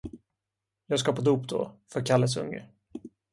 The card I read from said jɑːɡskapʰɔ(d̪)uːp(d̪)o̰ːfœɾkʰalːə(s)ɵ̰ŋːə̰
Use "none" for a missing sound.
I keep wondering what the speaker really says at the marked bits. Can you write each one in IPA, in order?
d̪, d̪, s

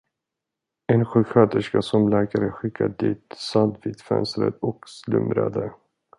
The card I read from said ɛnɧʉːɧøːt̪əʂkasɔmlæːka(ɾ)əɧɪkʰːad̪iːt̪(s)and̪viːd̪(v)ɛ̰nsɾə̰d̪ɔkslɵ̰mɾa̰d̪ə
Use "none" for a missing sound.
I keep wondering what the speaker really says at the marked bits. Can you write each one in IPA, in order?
ɾ, s, f

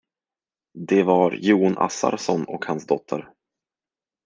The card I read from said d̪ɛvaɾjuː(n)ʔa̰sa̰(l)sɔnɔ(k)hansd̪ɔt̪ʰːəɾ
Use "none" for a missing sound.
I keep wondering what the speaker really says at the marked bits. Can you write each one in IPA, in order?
n, ɾ, k

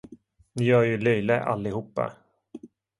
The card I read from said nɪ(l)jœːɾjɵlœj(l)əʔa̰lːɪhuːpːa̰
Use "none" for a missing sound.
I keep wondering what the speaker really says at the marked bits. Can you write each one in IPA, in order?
none, l

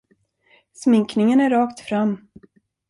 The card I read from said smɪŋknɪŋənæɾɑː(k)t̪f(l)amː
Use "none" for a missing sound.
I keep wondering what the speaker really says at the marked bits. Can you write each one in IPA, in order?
k, ɾ

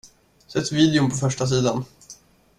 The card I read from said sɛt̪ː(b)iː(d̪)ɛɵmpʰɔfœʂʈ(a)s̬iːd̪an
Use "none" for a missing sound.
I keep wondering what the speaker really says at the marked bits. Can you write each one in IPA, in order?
v, d̪, a

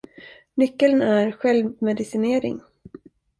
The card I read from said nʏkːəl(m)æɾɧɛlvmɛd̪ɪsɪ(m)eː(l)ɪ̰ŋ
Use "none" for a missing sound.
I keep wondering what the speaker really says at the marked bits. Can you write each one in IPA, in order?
n, n, ɾ

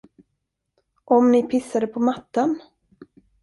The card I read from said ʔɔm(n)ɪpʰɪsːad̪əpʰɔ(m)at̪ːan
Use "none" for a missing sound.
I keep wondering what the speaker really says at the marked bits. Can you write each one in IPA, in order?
n, m

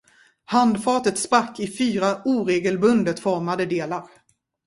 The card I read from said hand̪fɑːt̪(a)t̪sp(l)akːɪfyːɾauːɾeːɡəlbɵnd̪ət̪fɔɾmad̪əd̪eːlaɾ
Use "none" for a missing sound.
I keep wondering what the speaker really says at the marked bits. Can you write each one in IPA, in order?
ə, ɾ

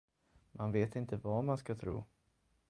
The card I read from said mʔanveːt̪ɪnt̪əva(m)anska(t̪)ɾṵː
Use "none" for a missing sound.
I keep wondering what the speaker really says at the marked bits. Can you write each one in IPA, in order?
m, t̪ʰ

